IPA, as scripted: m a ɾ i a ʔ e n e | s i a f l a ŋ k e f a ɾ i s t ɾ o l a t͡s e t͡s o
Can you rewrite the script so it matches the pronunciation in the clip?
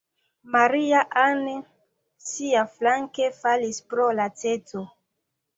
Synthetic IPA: m a ɾ i a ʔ a n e | s i a f l a ŋ k e f a l i s p ɾ o l a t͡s e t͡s o

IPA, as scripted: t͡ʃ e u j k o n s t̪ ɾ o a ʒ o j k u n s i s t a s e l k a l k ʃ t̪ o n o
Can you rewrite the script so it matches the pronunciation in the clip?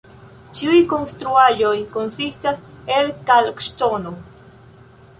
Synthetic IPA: t͡ʃ i u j k o n s t̪ ɾ u a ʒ o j k o n s i s t a s e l k a l k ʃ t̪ o n o

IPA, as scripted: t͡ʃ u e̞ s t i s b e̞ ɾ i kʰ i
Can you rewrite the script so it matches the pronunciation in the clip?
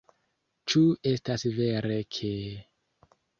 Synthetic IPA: t͡ʃ u e̞ s t a s v e̞ ɾ e kʰ e

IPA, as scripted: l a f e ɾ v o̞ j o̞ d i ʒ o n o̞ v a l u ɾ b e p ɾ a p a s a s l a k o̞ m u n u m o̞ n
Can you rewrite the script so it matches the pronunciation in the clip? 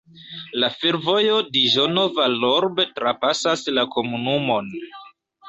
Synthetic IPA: l a f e ɾ v o̞ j o̞ d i ʒ o n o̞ v a l o ɾ b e t ɾ a p a s a s l a k o̞ m u n u m o̞ n

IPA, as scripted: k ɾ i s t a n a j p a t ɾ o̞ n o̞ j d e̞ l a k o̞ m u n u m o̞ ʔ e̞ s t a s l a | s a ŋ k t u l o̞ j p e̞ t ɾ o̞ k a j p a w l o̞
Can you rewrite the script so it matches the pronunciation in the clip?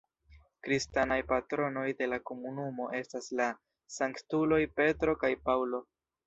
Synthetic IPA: k ɾ i s t a n a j p a t ɾ o̞ n o̞ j d e̞ l a k o̞ m u n u m o̞ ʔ e̞ s t a s l a | s a ŋ k t u l o̞ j p e̞ t ɾ o̞ k a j p a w l o̞

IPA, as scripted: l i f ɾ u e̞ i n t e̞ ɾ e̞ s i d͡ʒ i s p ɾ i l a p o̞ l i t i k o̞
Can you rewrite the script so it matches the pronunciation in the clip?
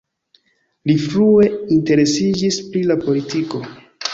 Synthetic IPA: l i f ɾ u e̞ i n t e̞ ɾ e̞ s i d͡ʒ i s p ɾ i l a p o̞ l i t i k o̞

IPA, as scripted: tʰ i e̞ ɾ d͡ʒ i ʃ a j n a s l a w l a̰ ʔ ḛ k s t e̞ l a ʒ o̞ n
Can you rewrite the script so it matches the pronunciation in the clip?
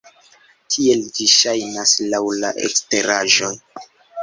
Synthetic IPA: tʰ i e̞ l d͡ʒ i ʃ a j n a s l a w l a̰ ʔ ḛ k s t e̞ ɾ a ʒ o̞ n

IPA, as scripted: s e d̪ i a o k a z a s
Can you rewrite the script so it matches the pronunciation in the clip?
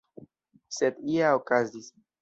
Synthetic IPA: s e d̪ i a o k a z i s

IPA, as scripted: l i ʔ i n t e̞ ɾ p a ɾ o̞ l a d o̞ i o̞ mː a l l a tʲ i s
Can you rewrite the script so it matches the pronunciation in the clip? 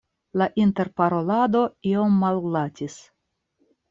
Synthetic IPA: l a ʔ i n t e̞ ɾ p a ɾ o̞ l a d o̞ i o̞ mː a l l a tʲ i s

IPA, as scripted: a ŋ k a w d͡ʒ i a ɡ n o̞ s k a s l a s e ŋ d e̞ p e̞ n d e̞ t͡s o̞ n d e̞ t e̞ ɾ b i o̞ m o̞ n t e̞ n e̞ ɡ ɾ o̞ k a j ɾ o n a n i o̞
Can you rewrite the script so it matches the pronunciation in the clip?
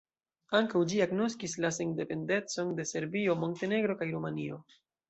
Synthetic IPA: a ŋ k a w d͡ʒ i a ɡ n o̞ s k i s l a s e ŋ d e̞ p e̞ n d e̞ t͡s o̞ n d e̞ s e̞ ɾ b i o̞ m o̞ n t e̞ n e̞ ɡ ɾ o̞ k a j ɾ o m a n i o̞

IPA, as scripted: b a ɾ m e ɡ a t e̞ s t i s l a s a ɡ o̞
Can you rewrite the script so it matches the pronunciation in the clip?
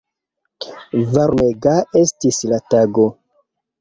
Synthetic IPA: v a ɾ m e ɡ a e̞ s t i s l a t a ɡ o̞

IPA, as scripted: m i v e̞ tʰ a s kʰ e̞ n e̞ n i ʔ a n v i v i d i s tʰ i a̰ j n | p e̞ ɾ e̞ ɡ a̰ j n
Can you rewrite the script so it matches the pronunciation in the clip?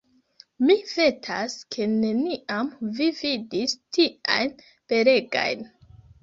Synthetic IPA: m i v e̞ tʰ a s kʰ e̞ n e̞ n i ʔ a m v i v i d i s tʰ i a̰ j n | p e̞ ɾ e̞ ɡ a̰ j n

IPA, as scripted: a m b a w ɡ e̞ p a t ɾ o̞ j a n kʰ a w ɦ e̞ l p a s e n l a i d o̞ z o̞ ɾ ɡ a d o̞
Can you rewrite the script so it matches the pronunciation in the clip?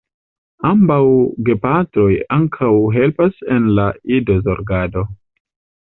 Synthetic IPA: a m b a w ɡ e̞ p a t ɾ o̞ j a ŋ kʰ a w ɦ e̞ l p a s e n l a i d o̞ z o̞ ɾ ɡ a d o̞

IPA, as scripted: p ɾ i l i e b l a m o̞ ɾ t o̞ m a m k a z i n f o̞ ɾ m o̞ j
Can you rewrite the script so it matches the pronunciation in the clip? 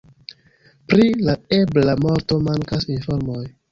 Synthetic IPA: p ɾ i l a e b l a m o̞ ɾ t o̞ m a ŋ k a s i n f o̞ ɾ m o̞ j

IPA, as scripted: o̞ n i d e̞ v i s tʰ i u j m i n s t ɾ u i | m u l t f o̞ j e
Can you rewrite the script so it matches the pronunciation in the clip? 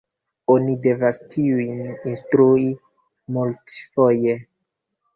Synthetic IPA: o̞ n i d e̞ v a s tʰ i u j n i n s t ɾ u i | m u l t f o̞ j e

